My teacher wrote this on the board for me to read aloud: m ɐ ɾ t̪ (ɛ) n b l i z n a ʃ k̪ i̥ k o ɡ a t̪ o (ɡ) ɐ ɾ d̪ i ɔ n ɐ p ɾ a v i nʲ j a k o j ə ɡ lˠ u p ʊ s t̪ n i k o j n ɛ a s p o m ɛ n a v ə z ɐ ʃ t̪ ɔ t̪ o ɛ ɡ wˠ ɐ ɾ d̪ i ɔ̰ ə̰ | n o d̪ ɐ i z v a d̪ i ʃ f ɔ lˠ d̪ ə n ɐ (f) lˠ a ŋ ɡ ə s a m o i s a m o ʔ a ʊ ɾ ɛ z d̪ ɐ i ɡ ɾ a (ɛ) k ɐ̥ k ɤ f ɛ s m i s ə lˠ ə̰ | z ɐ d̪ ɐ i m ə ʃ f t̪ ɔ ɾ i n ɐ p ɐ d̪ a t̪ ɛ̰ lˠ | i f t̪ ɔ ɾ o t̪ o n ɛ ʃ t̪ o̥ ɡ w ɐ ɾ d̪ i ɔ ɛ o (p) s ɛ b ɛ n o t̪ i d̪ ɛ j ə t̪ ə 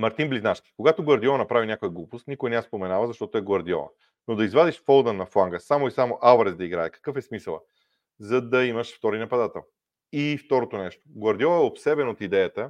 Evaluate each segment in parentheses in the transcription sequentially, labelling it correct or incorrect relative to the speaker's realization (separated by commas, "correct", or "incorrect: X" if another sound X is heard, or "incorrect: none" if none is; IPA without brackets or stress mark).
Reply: incorrect: i, correct, correct, correct, correct